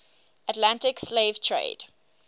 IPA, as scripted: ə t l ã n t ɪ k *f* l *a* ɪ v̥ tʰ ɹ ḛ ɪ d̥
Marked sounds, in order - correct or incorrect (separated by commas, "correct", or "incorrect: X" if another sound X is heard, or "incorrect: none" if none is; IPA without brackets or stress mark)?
incorrect: s, incorrect: e